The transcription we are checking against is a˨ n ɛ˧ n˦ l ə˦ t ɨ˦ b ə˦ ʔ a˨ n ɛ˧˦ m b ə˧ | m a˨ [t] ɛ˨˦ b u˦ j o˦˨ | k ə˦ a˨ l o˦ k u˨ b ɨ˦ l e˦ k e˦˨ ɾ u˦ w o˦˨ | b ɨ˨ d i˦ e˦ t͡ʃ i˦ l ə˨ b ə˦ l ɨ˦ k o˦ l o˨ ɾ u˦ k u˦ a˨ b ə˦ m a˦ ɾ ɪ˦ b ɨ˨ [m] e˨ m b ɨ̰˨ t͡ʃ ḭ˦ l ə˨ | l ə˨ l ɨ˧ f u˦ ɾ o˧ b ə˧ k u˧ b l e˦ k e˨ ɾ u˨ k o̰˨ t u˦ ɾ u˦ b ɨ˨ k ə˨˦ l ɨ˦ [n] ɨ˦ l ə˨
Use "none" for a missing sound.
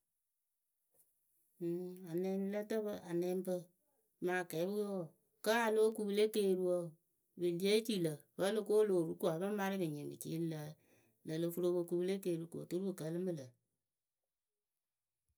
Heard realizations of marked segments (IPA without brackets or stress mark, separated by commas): k, ɲ, m